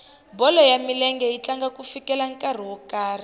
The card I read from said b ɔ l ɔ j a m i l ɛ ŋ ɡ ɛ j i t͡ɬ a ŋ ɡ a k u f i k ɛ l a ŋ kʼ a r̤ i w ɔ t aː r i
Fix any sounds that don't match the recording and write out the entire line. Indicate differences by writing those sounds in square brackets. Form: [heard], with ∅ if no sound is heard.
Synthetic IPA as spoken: b ɔ l ɔ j a m i l ɛ ŋ ɡ ɛ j i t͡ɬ a ŋ ɡ a k u f i k ɛ l a ŋ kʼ a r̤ i w ɔ [k] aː r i